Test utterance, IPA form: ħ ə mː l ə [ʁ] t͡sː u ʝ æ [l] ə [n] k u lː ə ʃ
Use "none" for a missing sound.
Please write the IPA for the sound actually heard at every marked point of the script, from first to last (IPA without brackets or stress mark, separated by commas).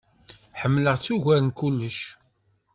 ʁ, ɾ, n